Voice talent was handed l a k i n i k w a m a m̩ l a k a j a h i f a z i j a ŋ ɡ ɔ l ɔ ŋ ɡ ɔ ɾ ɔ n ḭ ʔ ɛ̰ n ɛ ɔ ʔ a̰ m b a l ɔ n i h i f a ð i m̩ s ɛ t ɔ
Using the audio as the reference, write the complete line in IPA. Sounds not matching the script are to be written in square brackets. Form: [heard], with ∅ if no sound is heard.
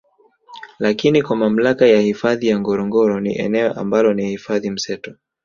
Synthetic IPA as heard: l a k i n i k w a m a m̩ l a k a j a h i f a [ð] i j a ŋ ɡ ɔ [ɾ] ɔ ŋ ɡ ɔ ɾ ɔ n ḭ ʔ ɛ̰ n ɛ ɔ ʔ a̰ m b a l ɔ n i h i f a ð i m̩ s ɛ t ɔ